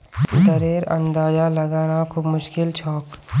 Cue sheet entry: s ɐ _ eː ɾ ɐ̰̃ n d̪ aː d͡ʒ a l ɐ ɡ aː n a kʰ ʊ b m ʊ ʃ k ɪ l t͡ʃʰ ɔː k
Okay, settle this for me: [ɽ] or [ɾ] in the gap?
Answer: ɾ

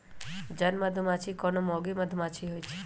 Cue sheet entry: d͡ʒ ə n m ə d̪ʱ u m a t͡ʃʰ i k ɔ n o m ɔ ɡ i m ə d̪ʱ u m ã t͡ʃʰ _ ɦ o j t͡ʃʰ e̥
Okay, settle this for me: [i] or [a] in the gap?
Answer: i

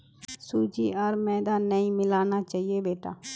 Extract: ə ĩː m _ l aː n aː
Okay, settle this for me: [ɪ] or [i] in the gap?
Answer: ɪ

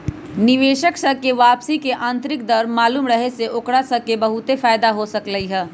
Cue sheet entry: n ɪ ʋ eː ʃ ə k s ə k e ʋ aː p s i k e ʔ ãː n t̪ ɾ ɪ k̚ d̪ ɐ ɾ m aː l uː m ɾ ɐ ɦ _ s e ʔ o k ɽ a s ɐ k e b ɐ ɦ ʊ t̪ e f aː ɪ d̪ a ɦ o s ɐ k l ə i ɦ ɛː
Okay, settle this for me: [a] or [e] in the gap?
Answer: e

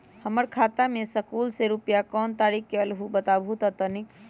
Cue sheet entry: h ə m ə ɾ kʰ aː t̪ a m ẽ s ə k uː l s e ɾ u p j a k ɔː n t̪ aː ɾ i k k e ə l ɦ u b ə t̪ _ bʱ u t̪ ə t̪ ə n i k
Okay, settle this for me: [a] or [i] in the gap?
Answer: a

